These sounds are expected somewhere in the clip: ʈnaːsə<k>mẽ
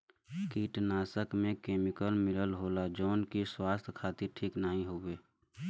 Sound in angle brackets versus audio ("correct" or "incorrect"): correct